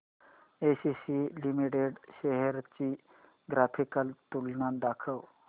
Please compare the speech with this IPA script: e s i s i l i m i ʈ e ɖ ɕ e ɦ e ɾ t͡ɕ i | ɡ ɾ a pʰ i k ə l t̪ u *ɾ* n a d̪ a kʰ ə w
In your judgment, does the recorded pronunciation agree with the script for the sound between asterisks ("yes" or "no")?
no